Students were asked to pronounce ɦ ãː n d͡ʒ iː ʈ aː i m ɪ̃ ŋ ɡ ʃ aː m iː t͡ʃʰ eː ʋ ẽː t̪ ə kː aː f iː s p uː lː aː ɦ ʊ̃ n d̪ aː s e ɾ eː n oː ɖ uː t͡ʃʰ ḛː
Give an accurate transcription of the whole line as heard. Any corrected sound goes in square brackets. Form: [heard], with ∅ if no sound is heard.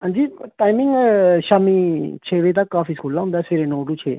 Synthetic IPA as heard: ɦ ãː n d͡ʒ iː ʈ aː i m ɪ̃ ŋ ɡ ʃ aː m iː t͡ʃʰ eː ʋ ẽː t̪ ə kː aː f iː s [k] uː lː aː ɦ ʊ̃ n d̪ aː s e ɾ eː n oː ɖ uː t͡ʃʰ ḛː